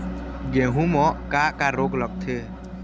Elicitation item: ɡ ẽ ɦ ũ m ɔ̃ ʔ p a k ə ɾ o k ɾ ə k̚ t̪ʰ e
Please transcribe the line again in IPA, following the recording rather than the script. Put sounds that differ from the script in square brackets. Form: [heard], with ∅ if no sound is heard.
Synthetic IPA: ɡ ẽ ɦ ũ m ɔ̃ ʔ [k] a k [a] ɾ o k [l] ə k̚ t̪ʰ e